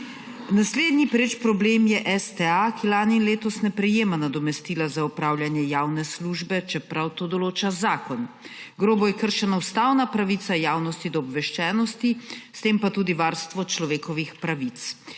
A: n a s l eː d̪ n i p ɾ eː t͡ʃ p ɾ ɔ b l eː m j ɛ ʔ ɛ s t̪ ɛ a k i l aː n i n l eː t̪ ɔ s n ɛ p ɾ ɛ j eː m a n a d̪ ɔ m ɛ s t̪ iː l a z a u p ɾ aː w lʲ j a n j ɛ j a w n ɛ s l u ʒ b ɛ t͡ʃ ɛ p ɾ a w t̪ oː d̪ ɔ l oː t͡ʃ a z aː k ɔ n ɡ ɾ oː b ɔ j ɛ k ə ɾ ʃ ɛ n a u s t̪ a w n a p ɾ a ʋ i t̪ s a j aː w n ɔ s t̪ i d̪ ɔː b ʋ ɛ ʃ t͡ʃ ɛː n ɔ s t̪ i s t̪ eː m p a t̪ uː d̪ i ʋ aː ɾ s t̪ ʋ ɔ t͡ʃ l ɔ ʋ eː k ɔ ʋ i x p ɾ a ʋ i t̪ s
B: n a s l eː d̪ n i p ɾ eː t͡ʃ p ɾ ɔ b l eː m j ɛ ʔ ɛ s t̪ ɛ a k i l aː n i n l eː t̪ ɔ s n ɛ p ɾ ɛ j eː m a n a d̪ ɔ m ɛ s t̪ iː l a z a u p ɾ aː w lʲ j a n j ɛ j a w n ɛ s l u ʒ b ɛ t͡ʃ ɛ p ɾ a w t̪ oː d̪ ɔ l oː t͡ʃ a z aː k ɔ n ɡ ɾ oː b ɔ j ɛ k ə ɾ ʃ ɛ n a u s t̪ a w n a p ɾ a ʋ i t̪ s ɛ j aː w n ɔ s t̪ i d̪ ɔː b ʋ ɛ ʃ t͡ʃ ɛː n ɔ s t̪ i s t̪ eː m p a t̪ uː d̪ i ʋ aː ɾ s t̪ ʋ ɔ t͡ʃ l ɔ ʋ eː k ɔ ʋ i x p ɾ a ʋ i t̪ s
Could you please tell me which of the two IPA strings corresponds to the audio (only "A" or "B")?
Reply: A